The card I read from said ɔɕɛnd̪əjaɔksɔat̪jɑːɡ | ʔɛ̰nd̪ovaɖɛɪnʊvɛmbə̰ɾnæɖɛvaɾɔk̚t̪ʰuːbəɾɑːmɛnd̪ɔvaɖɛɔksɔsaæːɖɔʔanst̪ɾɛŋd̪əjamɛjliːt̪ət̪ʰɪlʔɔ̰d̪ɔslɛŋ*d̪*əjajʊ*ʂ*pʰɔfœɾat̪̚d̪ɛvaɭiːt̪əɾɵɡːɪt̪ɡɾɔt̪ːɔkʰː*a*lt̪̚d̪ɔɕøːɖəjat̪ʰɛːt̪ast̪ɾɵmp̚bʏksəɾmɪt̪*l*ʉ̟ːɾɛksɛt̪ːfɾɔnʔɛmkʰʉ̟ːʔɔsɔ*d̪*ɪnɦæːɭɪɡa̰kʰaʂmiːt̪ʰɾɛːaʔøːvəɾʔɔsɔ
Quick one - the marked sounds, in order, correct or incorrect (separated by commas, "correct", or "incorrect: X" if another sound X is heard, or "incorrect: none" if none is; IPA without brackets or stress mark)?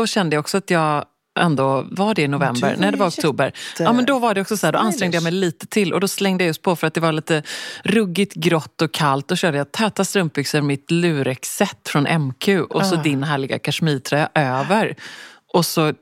correct, incorrect: s, correct, correct, correct